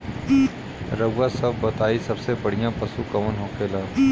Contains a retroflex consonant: yes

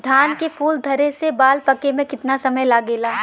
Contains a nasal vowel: yes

